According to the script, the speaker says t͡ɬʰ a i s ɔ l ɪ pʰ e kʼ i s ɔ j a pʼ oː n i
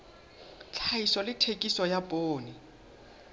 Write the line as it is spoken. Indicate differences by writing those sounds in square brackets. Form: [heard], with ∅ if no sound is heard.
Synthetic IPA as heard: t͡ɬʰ a i s ɔ l ɪ [tʰ] e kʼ i s ɔ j a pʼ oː n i